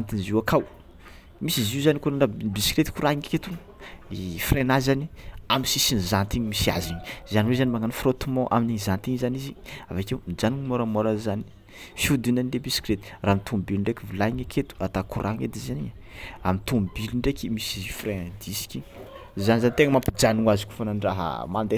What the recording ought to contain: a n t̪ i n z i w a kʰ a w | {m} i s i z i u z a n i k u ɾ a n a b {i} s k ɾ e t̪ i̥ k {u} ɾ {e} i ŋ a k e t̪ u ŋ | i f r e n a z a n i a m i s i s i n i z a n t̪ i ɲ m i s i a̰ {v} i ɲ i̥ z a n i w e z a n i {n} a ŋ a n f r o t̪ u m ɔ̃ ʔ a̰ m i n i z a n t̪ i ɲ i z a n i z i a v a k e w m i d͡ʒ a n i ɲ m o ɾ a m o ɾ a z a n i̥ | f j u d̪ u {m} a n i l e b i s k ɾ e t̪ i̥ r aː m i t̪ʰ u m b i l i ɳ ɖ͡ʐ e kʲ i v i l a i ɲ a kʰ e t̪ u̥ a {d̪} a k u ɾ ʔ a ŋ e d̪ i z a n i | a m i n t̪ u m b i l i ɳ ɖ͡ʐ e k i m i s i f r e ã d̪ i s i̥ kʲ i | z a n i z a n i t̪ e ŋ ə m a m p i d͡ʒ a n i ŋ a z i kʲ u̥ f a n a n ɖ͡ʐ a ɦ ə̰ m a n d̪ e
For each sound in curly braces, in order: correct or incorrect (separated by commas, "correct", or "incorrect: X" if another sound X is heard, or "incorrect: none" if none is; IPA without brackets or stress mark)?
correct, correct, correct, incorrect: a, incorrect: z, incorrect: m, incorrect: n, incorrect: t̪